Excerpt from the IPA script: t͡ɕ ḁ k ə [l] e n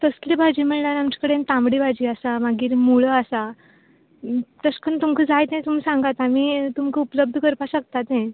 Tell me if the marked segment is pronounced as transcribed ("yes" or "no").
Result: no